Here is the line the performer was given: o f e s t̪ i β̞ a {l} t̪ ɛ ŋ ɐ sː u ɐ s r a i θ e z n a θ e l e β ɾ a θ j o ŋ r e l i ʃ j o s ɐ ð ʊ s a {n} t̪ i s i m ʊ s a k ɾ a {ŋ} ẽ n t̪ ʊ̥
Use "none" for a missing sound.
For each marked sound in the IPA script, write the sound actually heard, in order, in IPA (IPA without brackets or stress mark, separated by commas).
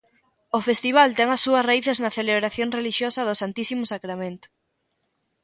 l, n, m